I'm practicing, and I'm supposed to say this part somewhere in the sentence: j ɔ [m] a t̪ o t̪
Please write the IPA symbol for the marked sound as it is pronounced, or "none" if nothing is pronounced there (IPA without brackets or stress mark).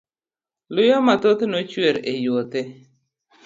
m